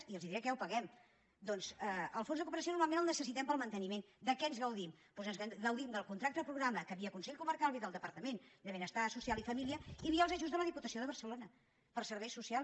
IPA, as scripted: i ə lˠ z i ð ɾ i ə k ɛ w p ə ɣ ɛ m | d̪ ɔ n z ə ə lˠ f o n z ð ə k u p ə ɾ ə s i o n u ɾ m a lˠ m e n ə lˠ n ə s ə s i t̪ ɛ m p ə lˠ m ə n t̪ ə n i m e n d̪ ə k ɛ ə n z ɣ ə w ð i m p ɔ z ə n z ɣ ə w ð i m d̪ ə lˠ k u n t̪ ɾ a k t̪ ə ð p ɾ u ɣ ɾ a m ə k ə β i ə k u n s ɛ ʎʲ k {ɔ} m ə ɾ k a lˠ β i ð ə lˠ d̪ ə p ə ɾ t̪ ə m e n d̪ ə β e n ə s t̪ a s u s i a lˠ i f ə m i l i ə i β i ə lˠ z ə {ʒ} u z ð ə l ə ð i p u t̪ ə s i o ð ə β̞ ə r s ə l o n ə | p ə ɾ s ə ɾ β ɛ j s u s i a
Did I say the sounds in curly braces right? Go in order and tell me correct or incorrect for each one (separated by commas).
incorrect, correct